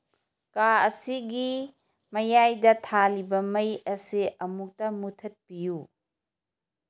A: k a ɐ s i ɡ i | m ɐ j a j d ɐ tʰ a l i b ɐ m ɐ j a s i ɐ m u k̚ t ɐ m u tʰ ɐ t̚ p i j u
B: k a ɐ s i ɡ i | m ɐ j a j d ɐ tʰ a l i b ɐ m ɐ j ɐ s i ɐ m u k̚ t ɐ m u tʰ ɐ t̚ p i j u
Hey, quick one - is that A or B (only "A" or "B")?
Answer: B